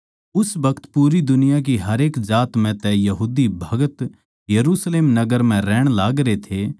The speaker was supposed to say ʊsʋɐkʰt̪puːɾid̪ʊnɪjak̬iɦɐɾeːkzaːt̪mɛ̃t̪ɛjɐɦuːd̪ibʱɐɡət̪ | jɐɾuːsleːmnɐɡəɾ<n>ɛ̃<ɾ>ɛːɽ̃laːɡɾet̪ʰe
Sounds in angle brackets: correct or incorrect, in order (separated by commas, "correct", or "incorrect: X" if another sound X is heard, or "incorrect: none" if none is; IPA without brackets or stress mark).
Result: incorrect: m, correct